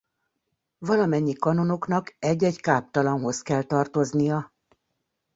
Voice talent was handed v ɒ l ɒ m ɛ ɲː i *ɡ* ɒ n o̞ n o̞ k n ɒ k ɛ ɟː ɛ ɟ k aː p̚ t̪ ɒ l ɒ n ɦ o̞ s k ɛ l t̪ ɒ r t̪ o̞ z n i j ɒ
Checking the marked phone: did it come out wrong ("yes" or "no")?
yes